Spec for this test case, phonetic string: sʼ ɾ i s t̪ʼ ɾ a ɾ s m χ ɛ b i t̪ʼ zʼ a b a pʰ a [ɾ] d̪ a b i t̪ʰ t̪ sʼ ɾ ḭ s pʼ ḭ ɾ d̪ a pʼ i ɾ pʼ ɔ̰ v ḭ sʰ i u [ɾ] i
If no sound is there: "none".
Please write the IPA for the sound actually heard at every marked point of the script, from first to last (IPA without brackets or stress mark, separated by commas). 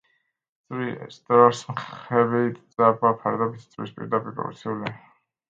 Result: ɾ, l